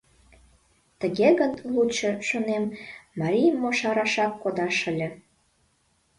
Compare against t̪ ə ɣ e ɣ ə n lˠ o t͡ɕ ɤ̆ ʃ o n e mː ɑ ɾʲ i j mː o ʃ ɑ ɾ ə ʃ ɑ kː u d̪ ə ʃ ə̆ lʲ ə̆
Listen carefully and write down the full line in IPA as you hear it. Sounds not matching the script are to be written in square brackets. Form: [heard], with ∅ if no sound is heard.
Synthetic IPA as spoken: t̪ ə ɣ e ɣ ə n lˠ [u] t͡ɕ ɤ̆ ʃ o n e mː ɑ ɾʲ i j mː o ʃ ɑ ɾ [ɑ] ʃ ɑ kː [o] d̪ [ɑ] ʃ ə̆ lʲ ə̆